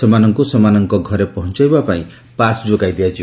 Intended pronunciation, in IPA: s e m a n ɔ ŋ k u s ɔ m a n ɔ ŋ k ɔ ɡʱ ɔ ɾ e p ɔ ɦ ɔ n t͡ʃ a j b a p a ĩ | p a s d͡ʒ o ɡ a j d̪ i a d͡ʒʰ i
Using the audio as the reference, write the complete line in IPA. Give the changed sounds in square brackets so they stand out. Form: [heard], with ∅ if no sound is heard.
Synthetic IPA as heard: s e m a n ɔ ŋ k u s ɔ m a n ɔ ŋ k ɔ ɡʱ ɔ ɾ e p ɔ ɦ ɔ n t͡ʃ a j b a p a ĩ | p a s d͡ʒ o ɡ a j d̪ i a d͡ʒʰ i